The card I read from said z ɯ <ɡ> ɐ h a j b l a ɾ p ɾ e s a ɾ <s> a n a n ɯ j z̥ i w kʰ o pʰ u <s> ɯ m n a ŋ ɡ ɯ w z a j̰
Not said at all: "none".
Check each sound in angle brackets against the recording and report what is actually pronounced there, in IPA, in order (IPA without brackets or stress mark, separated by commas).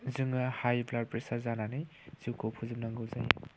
ŋ, z, z